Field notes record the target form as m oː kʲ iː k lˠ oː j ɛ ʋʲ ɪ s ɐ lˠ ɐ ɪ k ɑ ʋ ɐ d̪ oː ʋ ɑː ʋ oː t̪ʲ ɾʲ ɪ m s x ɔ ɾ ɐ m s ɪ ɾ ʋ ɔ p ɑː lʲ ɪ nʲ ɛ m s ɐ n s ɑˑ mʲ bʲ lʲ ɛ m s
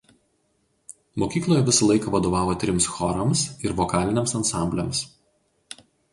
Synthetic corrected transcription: m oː kʲ iː k lˠ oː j ɛ ʋʲ ɪ s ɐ lˠ ɐ ɪ k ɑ ʋ ɐ d̪ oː ʋ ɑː ʋ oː t̪ʲ ɾʲ ɪ m s x ɔ ɾ ɐ m s ɪ ɾ ʋ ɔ k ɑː lʲ ɪ nʲ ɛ m s ɐ n s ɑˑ mʲ bʲ lʲ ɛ m s